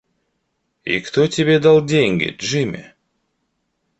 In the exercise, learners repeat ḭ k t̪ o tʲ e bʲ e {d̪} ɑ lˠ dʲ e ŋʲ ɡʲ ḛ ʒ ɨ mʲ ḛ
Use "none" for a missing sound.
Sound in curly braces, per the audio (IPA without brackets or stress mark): d̪